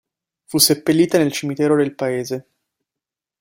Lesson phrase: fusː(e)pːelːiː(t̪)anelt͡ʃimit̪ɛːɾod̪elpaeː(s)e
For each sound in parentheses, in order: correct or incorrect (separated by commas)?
correct, correct, incorrect